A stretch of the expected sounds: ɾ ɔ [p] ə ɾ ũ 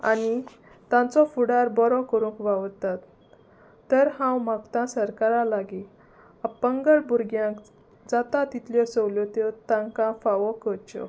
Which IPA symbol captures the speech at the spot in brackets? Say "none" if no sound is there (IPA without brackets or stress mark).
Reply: k